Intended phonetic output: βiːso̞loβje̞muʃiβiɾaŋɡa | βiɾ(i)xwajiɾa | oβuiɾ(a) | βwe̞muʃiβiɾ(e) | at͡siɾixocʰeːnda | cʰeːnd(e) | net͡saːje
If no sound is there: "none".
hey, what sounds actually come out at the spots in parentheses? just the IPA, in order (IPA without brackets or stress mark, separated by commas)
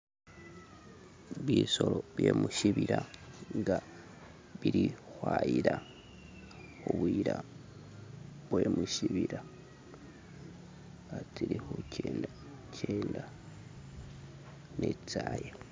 i, a, a, a